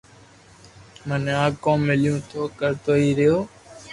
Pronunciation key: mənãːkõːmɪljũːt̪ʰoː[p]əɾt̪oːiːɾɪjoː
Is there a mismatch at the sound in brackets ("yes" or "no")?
yes